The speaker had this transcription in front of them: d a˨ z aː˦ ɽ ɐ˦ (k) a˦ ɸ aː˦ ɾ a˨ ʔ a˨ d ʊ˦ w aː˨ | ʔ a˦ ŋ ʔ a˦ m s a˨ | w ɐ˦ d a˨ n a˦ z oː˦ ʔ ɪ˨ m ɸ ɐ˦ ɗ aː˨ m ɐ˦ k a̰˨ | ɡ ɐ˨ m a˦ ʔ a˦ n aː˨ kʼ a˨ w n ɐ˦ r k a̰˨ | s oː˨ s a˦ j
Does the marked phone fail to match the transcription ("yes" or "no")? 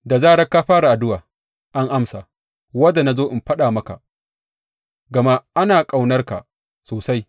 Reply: no